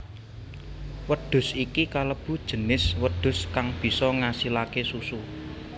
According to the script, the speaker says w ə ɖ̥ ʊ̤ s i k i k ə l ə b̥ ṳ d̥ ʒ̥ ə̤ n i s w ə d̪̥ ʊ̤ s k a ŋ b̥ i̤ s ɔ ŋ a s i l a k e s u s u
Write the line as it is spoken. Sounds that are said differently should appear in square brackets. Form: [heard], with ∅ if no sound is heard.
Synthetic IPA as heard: w ə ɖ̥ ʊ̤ s i k i k [a] l ə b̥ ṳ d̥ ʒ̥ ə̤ n [ɪ] s w ə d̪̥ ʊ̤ s k a ŋ b̥ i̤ s ɔ ŋ a s i l a k e s u s u